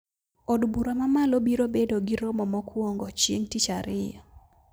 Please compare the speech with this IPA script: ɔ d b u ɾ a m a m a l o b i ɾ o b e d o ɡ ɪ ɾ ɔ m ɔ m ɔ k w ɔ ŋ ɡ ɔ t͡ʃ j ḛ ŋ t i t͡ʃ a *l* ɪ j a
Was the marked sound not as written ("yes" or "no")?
yes